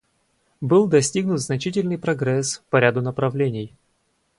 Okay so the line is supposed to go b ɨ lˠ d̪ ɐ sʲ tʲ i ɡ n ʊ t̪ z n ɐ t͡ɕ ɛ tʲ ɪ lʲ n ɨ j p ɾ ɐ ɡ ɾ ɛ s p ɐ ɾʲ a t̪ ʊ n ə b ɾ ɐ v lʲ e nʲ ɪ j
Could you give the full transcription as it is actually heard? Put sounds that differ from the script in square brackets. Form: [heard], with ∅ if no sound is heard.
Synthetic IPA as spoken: b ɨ lˠ d̪ ɐ sʲ tʲ i ɡ n ʊ t̪ z n ɐ t͡ɕ [i] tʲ ɪ lʲ n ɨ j p ɾ ɐ ɡ ɾ ɛ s p ɐ ɾʲ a [d̪] ʊ n ə [p] ɾ ɐ v lʲ e nʲ ɪ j